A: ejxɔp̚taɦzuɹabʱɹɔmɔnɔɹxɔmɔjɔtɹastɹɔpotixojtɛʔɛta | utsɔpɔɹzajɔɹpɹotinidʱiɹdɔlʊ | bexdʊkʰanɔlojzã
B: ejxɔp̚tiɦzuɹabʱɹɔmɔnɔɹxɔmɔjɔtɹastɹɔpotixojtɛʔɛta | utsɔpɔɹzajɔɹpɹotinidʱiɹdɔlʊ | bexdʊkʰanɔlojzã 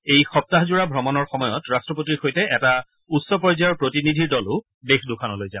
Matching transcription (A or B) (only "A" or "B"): A